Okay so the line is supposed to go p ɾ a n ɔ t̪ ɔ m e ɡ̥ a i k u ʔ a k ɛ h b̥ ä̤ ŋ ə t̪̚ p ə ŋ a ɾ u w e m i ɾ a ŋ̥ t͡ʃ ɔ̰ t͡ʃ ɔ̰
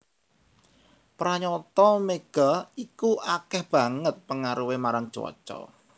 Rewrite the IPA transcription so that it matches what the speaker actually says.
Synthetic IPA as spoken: p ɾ a ɲ ɔ t̪ ɔ m e ɡ̥ a i k u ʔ a k ɛ h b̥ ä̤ ŋ ə t̪̚ p ə ŋ a ɾ u w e m a ɾ a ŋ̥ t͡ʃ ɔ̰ t͡ʃ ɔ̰